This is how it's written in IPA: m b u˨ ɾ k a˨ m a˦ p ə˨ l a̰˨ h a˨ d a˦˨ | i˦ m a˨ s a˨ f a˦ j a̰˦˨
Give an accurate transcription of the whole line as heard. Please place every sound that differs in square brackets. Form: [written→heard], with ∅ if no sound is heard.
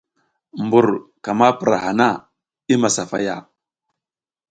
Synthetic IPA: m b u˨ ɾ k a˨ m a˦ p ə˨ [l→ɾ] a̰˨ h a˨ [d→n] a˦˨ | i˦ m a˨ s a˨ f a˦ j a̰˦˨

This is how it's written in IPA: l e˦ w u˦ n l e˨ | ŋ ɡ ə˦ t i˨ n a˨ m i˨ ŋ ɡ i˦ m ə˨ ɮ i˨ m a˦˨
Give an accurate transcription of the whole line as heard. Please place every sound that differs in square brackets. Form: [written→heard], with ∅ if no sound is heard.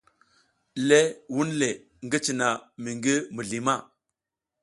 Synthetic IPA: l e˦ w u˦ n l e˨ | ŋ ɡ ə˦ [t→t͡ʃ] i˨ n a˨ m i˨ ŋ ɡ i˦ m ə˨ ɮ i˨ m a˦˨

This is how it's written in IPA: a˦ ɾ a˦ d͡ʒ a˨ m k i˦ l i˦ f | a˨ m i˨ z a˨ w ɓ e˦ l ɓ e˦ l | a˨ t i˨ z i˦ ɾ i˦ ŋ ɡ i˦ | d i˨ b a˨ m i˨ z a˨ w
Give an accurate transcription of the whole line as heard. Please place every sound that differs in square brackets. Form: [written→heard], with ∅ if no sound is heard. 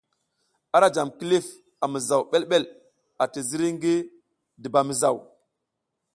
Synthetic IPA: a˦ ɾ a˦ d͡ʒ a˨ m k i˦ l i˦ f | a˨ m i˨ z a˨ w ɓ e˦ l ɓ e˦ l | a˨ t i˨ z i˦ ɾ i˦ ŋ ɡ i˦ | d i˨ b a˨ m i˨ z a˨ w

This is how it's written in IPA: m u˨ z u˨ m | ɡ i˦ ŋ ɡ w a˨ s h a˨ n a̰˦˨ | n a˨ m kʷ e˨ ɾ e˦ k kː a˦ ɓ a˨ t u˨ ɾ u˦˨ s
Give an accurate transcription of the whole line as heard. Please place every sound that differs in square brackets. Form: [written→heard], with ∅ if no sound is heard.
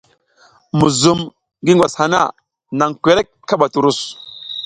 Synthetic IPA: m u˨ z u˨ m | ɡ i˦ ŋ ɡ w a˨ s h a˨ n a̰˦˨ | n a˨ [m→ŋ] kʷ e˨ ɾ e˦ k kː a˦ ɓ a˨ t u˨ ɾ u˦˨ s

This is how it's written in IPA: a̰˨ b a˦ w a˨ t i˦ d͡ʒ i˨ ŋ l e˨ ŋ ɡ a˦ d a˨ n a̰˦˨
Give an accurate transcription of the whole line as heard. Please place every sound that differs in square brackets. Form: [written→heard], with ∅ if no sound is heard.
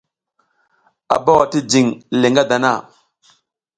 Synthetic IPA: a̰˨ b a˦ w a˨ t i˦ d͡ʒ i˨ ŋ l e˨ ŋ ɡ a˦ d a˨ n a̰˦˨

